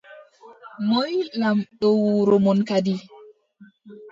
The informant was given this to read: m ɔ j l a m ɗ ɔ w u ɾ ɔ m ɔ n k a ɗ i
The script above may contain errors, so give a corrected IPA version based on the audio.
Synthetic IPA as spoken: m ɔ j l a m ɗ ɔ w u ɾ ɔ m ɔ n k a d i